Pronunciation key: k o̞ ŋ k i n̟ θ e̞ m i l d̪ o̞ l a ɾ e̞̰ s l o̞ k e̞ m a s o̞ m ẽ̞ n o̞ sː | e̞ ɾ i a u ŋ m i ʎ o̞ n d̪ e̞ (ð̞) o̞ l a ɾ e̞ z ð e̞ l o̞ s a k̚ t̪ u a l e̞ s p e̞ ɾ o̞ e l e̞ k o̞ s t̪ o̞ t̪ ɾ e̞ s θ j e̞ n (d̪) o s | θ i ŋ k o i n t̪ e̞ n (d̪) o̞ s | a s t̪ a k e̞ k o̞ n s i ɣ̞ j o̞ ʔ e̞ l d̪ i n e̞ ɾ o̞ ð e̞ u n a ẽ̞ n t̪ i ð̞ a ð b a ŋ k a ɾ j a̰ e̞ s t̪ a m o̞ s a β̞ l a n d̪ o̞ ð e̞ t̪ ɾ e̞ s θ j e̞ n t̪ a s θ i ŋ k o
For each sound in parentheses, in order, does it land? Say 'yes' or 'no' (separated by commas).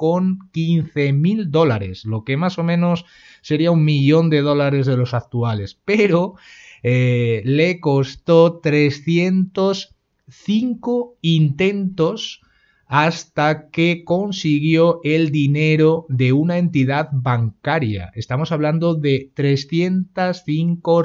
yes, no, no